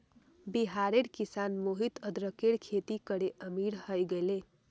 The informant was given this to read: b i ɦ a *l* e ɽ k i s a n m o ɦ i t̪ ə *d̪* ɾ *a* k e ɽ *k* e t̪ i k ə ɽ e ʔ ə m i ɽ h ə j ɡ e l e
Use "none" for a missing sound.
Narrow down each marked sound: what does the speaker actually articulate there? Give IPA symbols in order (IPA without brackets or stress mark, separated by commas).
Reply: ɾ, d̪, ə, kʰ